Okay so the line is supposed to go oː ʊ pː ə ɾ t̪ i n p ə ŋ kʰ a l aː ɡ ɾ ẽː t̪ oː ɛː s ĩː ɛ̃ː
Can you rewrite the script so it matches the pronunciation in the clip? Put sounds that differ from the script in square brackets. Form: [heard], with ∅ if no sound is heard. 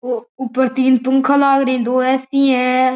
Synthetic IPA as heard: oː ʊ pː ə ɾ t̪ [iː] n p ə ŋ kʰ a l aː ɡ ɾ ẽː [d̪] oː ɛː s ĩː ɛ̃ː